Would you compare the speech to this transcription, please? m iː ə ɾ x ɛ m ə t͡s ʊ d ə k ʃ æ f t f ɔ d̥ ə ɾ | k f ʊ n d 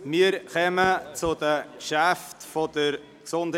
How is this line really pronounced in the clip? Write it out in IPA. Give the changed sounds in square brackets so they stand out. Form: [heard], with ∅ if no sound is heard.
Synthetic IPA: m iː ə ɾ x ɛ m ə t͡s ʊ d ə k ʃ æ f t f ɔ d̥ ə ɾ | k [s] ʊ n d